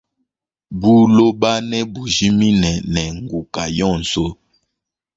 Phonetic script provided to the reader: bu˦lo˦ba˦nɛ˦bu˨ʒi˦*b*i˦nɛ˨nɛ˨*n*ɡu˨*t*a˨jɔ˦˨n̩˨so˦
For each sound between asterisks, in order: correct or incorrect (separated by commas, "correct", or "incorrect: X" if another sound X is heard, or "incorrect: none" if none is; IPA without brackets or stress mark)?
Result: incorrect: m, incorrect: ŋ, incorrect: k